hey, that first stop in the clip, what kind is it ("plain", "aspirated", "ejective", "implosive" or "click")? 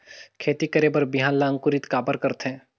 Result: aspirated